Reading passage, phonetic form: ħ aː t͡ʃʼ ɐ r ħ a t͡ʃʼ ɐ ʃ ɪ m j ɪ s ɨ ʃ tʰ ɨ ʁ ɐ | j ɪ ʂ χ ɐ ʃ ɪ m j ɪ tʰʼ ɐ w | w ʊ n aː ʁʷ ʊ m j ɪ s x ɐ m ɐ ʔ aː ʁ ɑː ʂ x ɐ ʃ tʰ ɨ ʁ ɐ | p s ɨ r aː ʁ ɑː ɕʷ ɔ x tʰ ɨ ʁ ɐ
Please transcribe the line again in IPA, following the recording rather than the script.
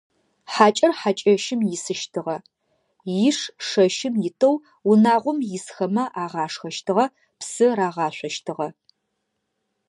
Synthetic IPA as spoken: ħ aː t͡ʃʼ ɐ r ħ a t͡ʃʼ ɐ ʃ ɪ m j ɪ s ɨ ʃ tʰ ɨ ʁ ɐ | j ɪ ʂ ʂ ɐ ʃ ɪ m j ɪ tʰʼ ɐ w | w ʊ n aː ʁʷ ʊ m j ɪ s x ɐ m ɐ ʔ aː ʁ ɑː ʂ x ɐ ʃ tʰ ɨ ʁ ɐ | p s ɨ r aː ʁ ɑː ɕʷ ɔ ʃ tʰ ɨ ʁ ɐ

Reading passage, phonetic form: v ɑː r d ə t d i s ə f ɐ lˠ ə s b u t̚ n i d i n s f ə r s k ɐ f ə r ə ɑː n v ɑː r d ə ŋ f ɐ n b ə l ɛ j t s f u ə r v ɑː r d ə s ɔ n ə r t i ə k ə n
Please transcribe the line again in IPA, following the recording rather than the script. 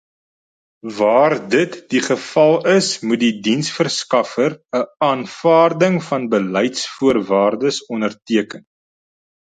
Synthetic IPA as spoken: v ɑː r d ə t d i χ ə f ɐ lˠ ə s m u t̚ d i d i n s f ə r s k ɐ f ə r ə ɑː n f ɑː r d ə ŋ f ɐ n b ə l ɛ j t s f u ə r v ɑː r d ə s ɔ n ə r t i ə k ə n

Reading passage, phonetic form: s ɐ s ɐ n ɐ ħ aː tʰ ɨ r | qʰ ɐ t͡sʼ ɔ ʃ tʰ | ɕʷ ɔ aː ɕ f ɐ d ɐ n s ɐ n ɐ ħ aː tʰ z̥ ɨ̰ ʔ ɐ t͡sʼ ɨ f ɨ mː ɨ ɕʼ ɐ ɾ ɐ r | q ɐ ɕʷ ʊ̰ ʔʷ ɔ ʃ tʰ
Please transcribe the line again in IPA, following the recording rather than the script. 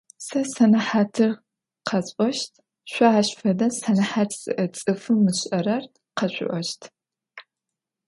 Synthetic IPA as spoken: s ɐ s ɐ n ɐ ħ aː tʰ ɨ r | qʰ ɐ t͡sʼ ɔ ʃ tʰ | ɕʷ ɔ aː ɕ f ɐ d ɐ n s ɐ n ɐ ħ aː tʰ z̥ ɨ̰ ʔ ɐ t͡sʼ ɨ f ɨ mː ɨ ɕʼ ɐ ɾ ɐ r | q ɐ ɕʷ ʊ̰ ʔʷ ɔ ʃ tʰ

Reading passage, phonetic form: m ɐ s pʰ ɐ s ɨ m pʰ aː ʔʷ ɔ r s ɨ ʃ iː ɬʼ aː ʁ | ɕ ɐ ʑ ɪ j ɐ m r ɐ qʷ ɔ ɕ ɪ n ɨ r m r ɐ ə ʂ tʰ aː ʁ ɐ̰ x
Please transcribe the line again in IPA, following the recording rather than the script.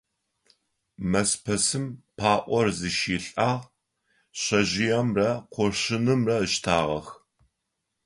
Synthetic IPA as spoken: m ɐ s pʰ ɐ s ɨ m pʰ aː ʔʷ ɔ r z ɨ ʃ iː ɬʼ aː ʁ | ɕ ɐ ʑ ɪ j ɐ m r ɐ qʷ ɔ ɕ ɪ n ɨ m r ɐ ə ʃ tʰ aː ʁ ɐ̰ x

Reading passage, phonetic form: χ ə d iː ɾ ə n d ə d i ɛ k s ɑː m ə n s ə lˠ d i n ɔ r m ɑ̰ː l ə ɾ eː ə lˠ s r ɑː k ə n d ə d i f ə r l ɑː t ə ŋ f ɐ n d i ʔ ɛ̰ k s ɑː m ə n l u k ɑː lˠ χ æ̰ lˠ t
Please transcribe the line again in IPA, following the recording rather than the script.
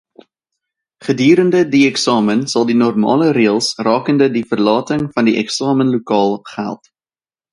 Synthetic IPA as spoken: χ ə d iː ɾ ə n d ə d i ɛ k s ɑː m ə n s ɐ lˠ d i n ɔ r m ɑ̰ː l ə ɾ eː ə lˠ s r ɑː k ə n d ə d i f ə r l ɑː t ə ŋ f ɐ n d i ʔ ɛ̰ k s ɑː m ə n l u k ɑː lˠ χ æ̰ lˠ t

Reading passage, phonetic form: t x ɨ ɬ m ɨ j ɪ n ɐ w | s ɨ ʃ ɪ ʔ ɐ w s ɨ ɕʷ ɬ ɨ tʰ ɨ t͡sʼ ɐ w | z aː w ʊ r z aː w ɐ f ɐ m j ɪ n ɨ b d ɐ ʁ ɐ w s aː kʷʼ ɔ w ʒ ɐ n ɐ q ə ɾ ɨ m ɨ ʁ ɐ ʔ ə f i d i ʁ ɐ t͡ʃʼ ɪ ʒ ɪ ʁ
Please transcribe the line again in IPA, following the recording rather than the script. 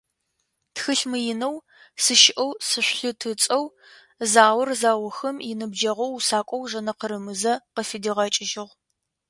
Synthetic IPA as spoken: t x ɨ ɬ m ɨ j ɪ n ɐ w | s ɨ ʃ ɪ ʔ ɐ w s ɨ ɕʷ ɬ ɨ tʰ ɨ t͡sʼ ɐ w | z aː w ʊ r z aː w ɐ x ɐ m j ɪ n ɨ b d͡ʒ ɐ ʁ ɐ w s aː kʷʼ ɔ w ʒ ɐ n ɐ q ə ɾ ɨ m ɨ z ɐ q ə f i d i ʁ ɐ t͡ʃʼ ɪ ʒ ɪ ʁ

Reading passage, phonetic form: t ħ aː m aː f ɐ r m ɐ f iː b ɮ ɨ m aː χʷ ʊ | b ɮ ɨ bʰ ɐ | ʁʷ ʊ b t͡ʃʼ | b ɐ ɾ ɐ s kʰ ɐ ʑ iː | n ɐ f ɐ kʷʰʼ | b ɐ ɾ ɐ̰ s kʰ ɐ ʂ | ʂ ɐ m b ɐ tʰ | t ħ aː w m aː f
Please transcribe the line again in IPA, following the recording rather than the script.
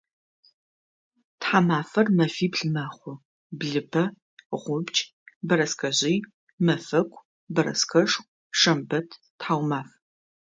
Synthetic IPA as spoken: t ħ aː m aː f ɐ r m ɐ f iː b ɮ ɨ m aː χʷ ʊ | b ɮ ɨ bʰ ɐ | ʁʷ ʊ b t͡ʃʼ | b ɐ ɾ ɐ s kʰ ɐ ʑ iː | m ɐ f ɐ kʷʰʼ | b ɐ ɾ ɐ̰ s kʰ ɐ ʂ | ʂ ɐ m b ɐ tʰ | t ħ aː w m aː f

